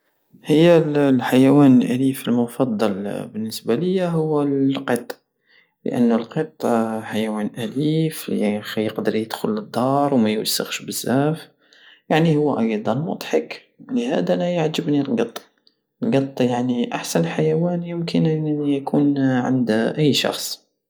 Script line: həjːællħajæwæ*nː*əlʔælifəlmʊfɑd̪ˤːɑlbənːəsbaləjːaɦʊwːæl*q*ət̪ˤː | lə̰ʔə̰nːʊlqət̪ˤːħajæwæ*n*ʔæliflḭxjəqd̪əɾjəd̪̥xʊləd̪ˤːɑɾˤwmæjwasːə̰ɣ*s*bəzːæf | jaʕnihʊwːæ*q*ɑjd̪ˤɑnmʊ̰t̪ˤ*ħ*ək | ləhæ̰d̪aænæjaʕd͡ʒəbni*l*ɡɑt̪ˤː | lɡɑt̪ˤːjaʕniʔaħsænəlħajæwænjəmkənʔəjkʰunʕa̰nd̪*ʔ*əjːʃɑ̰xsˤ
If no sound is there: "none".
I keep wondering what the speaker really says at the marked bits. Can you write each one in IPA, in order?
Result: n, q, n, ʃ, ʔ, ħ, l, ʔ

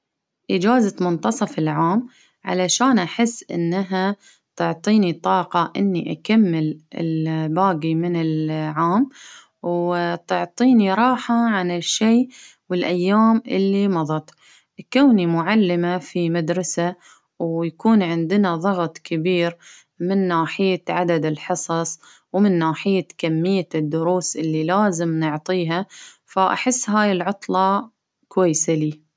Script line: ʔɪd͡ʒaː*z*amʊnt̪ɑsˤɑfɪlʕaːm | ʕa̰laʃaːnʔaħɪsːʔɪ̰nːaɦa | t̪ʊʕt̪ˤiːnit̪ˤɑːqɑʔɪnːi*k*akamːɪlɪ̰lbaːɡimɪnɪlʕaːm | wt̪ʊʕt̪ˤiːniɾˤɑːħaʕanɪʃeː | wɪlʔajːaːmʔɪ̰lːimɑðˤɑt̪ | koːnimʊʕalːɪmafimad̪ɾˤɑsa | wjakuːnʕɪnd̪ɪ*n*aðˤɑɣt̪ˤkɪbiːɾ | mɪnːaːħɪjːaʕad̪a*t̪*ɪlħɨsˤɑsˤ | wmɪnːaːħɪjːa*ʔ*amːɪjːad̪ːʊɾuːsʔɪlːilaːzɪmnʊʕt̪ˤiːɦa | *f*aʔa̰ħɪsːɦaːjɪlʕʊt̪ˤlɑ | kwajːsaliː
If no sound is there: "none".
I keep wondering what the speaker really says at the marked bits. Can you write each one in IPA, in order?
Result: z, ʔ, n, d̪, k, f

